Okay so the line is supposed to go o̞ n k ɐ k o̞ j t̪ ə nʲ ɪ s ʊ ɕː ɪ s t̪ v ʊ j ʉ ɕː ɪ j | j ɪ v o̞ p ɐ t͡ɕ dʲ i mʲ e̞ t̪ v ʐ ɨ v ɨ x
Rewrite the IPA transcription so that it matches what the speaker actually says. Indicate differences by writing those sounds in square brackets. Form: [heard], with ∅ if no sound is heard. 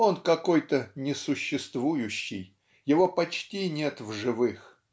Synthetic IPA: o̞ n k ɐ k o̞ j t̪ ə nʲ ɪ s ʊ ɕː ɪ s t̪ v [u] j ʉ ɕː ɪ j | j ɪ v o̞ p ɐ t͡ɕ [tʲ] i [nʲ] e̞ t̪ v ʐ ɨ v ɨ x

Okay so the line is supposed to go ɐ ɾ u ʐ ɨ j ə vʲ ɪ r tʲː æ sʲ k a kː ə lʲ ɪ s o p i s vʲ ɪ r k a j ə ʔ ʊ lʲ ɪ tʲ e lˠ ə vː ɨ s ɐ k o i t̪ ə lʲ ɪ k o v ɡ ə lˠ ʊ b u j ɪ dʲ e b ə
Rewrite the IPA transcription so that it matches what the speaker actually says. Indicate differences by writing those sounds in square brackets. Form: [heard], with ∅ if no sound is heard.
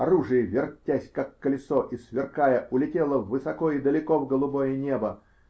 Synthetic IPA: ɐ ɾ u ʐ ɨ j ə vʲ ɪ r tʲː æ sʲ k a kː ə lʲ ɪ s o [ʔ] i s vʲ ɪ r k a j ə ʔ ʊ lʲ ɪ tʲ e lˠ ə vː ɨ s ɐ k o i [d̪] ə lʲ ɪ k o v ɡ ə lˠ ʊ b [o] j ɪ [nʲ] e b ə

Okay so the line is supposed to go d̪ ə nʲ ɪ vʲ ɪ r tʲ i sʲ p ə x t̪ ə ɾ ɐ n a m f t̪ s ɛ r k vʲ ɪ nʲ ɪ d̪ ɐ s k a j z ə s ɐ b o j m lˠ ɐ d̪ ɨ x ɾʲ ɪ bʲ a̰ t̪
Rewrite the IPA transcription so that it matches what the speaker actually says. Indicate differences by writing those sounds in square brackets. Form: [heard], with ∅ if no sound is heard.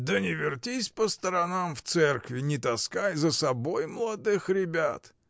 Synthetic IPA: d̪ ə nʲ ɪ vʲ ɪ r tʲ i sʲ p ə [s] t̪ ə ɾ ɐ n a m f t̪ s ɛ r k vʲ ɪ nʲ ɪ [t̪] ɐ s k a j z ə s ɐ b o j m lˠ ɐ d̪ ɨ x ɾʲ ɪ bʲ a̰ t̪

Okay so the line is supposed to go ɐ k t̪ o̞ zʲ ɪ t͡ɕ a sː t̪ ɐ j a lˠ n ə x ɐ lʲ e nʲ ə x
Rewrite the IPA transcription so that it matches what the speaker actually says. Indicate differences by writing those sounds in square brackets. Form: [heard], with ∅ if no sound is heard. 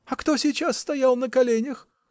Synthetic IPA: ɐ k t̪ o̞ [sʲ] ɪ t͡ɕ a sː t̪ ɐ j a lˠ n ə [k] ɐ lʲ e nʲ ə x

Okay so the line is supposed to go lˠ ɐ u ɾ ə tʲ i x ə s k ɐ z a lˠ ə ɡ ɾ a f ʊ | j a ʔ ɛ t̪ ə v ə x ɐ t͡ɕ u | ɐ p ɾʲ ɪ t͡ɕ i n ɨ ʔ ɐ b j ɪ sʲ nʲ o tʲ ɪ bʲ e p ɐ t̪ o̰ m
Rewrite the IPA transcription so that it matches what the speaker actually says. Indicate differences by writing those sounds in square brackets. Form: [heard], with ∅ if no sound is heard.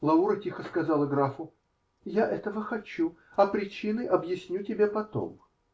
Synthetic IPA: lˠ ɐ u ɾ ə tʲ i x ə s k ɐ z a lˠ ə ɡ ɾ a f ʊ | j a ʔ ɛ t̪ ə v ə x ɐ t͡ɕ u | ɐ p ɾʲ ɪ t͡ɕ i n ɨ ʔ ɐ b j ɪ sʲ nʲ [u] tʲ ɪ bʲ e p ɐ t̪ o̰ m

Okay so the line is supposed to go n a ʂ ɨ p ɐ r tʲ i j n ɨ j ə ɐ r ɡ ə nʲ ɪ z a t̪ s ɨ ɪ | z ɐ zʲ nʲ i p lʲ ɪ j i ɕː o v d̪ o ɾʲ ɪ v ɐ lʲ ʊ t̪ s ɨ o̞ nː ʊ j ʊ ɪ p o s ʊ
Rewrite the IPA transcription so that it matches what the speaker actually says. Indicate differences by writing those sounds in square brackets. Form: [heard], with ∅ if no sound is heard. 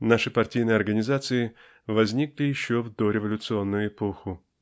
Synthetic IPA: n a ʂ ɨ p ɐ r tʲ i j n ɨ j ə ɐ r ɡ ə nʲ ɪ z a t̪ s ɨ ɪ | [v] ɐ zʲ nʲ i [k] lʲ ɪ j [ɪ] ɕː o v d̪ o ɾʲ ɪ v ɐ lʲ ʊ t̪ s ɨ o̞ nː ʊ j ʊ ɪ p o [x] ʊ

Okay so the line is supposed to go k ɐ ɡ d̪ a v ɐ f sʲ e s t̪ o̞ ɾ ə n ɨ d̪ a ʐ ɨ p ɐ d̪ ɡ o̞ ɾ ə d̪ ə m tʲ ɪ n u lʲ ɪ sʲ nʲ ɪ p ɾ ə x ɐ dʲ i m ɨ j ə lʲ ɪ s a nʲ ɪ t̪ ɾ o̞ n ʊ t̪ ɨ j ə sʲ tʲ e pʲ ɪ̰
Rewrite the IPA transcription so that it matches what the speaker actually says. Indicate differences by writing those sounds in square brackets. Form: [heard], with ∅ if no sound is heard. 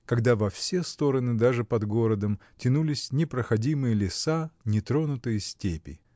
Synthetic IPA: k ɐ ɡ d̪ a v ɐ f sʲ e s t̪ o̞ ɾ ə n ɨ d̪ a ʐ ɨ p ɐ d̪ ɡ o̞ ɾ ə d̪ ə m tʲ ɪ n u lʲ ɪ sʲ nʲ ɪ p ɾ ə x ɐ dʲ i m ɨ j ə lʲ ɪ s a nʲ ɪ t̪ ɾ o̞ n ʊ t̪ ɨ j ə sʲ tʲ e pʲ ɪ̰

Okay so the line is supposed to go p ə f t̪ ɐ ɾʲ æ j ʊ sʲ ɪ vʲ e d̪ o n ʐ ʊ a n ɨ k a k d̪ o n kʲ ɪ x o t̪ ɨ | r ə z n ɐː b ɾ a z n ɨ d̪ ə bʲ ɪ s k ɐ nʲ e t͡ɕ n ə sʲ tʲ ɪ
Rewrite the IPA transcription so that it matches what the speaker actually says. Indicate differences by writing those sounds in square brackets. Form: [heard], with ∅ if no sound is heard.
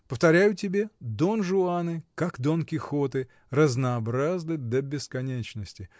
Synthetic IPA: p ə f t̪ ɐ ɾʲ æ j ʊ [tʲ] ɪ [bʲ] e d̪ o n ʐ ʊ a n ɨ k a k d̪ o n kʲ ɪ x o t̪ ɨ | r ə z n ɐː b ɾ a z n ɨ d̪ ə bʲ ɪ s k ɐ nʲ e t͡ɕ n ə sʲ tʲ ɪ

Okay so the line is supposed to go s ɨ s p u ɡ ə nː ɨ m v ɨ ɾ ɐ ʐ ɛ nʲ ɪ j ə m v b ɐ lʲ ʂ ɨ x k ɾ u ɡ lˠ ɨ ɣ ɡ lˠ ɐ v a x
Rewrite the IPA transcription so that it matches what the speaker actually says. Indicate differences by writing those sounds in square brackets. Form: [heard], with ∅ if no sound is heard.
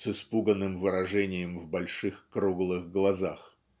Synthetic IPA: s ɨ s p u ɡ ə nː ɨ m v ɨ ɾ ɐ ʐ ɛ nʲ ɪ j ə m v b ɐ lʲ ʂ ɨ x k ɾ u ɡ lˠ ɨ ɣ ɡ lˠ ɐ [z] a x

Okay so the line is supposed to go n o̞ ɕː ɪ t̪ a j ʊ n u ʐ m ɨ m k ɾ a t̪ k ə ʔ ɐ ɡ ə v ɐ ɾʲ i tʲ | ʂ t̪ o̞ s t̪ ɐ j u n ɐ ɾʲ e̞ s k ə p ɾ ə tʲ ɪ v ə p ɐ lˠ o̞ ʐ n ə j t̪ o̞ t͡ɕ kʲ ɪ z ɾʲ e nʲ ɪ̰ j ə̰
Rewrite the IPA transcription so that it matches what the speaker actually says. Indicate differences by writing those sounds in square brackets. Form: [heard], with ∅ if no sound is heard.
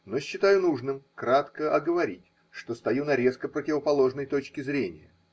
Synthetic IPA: n o̞ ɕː ɪ t̪ a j ʊ n u ʐ [n] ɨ m k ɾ a t̪ k ə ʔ ɐ ɡ ə v ɐ ɾʲ i tʲ | ʂ t̪ o̞ s t̪ ɐ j u n ɐ ɾʲ e̞ s k ə p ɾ ə tʲ ɪ v ə p ɐ lˠ o̞ ʐ n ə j t̪ o̞ t͡ɕ kʲ ɪ z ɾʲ e nʲ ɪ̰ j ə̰

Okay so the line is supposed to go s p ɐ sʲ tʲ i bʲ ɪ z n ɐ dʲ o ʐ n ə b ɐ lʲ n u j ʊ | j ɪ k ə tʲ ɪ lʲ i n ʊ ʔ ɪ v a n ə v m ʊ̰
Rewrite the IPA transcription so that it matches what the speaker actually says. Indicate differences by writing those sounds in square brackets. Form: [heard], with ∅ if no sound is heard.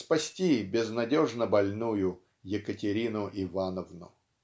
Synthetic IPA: s p ɐ sʲ tʲ i bʲ ɪ z n ɐ dʲ o ʐ n ə b ɐ lʲ n u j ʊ | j ɪ k ə tʲ ɪ [ɾʲ] i n ʊ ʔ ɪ v a n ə v [n] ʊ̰

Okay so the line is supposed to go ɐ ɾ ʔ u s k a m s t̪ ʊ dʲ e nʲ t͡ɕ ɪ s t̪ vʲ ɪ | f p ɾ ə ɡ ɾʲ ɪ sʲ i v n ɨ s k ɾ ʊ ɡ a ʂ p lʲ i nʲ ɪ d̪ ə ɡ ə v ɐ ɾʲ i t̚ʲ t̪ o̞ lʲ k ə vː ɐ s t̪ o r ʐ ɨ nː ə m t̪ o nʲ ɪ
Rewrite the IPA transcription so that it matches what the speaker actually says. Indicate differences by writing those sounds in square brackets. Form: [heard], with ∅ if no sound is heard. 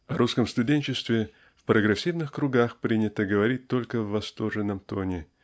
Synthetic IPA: ɐ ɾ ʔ u s k [ə] m s t̪ ʊ dʲ e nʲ t͡ɕ ɪ s t̪ vʲ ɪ | f p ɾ ə ɡ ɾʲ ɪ sʲ i v n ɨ [x] k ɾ ʊ ɡ a [x] p [ɾʲ] i nʲ ɪ [t̪] ə ɡ ə v ɐ ɾʲ i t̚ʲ t̪ o̞ lʲ k ə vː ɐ s t̪ o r ʐ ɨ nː ə m t̪ o nʲ ɪ

